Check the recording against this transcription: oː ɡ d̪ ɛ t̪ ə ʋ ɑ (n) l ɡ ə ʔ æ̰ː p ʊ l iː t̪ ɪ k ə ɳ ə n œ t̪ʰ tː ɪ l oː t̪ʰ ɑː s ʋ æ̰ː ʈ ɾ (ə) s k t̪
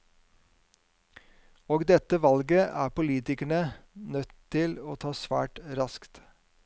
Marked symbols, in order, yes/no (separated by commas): no, no